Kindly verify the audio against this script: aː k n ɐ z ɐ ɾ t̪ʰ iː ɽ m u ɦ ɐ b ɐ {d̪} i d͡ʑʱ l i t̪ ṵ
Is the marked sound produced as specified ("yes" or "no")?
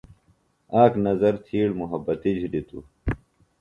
no